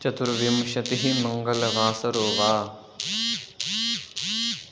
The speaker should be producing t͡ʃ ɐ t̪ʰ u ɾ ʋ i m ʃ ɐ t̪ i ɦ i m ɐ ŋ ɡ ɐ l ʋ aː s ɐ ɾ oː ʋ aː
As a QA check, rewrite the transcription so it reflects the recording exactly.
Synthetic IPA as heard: t͡ʃ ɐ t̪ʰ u ɾ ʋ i m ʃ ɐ t̪ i ɦ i m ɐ ŋ ɡ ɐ l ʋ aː s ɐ ɾ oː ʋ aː